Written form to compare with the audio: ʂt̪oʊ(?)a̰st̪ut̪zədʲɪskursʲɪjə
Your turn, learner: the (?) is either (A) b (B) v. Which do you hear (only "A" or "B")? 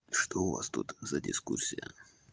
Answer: B